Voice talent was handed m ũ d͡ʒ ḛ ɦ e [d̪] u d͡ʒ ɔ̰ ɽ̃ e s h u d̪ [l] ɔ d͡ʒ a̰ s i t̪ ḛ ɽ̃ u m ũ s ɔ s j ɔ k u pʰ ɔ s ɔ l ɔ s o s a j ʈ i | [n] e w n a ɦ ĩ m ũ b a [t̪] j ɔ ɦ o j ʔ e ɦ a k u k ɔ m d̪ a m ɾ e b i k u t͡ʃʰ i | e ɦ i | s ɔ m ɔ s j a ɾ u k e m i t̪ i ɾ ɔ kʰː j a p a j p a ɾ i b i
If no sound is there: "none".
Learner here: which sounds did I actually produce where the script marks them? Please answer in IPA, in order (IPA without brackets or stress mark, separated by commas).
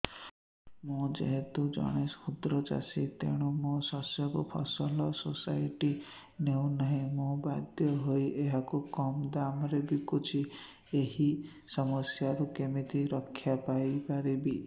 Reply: t̪, ɾ, n, d̪